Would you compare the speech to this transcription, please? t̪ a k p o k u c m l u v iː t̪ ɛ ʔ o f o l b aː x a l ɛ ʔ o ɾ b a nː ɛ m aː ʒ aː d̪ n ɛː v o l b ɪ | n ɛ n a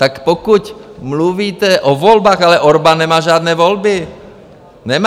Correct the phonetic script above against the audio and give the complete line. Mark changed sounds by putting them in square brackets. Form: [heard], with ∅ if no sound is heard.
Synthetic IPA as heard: t̪ a k p o k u c m l u v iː t̪ ɛ ʔ o [v] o l b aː x a l ɛ ʔ o ɾ b a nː ɛ m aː ʒ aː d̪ n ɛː v o l b ɪ | n ɛ [m] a

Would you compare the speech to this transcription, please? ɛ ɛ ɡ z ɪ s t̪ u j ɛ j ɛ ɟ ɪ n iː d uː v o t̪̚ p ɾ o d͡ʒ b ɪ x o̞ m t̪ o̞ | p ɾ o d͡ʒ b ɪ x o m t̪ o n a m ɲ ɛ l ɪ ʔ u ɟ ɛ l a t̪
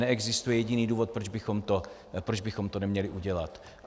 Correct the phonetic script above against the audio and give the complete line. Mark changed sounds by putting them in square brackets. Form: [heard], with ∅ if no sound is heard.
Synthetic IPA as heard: ɛ ɛ ɡ z ɪ s t̪ u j ɛ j ɛ ɟ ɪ n iː d uː v o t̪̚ p ɾ o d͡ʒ b ɪ x o̞ m t̪ o̞ | p ɾ o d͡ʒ b ɪ x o m t̪ o n [ɛ] m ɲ ɛ l ɪ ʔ u ɟ ɛ l a t̪

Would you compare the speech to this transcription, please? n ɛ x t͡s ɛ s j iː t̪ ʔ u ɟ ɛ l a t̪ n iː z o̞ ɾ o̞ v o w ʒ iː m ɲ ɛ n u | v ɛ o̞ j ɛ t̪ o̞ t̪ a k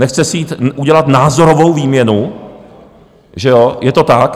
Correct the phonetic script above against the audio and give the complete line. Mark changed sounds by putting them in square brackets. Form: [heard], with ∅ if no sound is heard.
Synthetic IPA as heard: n ɛ x t͡s ɛ s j iː t̪ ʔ u ɟ ɛ l a t̪ n [aː] z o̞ ɾ o̞ v o w [v] iː m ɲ ɛ n u | [ʒ] ɛ o̞ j ɛ t̪ o̞ t̪ a k

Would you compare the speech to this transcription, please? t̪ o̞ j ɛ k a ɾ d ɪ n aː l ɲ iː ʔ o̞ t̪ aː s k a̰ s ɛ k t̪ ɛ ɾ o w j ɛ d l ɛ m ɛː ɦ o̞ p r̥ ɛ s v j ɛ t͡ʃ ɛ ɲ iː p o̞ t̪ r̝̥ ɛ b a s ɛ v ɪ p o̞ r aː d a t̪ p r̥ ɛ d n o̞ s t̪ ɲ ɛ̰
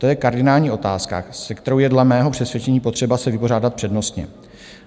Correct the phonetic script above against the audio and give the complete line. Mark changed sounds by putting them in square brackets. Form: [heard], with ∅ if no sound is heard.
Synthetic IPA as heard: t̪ o̞ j ɛ k a ɾ d ɪ n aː l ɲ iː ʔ o̞ t̪ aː s k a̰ s ɛ k t̪ ɛ ɾ o w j ɛ d l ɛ m ɛː ɦ o̞ p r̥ ɛ s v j ɛ t͡ʃ ɛ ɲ iː p o̞ t̪ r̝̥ ɛ b a s ɛ v ɪ p o̞ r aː d a t̪ p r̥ ɛ d n o̞ s t̪ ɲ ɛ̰

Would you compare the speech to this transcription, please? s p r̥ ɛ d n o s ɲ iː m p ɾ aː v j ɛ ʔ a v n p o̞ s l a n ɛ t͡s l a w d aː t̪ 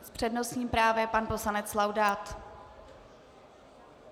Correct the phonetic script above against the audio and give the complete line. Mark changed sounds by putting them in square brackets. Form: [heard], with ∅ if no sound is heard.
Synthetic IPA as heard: s p r̥ ɛ d n o s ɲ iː m p ɾ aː v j ɛ [p] a [∅] n p o̞ s l a n ɛ t͡s l a w d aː t̪

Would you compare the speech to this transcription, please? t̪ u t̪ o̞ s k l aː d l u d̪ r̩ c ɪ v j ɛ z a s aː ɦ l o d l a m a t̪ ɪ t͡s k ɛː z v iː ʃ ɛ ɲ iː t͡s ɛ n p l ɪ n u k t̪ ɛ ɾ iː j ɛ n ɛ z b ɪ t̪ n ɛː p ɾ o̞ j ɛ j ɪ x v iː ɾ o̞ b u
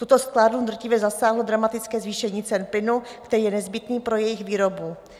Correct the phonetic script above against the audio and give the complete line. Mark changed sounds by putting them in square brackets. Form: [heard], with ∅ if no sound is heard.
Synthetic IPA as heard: t̪ u t̪ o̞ s k l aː d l u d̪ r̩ c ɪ v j ɛ z a s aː ɦ l o d [ɾ] a m a t̪ ɪ t͡s k ɛː z v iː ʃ ɛ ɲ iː t͡s ɛ n p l ɪ n u k t̪ ɛ ɾ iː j ɛ n ɛ z b ɪ t̪ n [iː] p ɾ o̞ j ɛ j ɪ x v iː ɾ o̞ b u

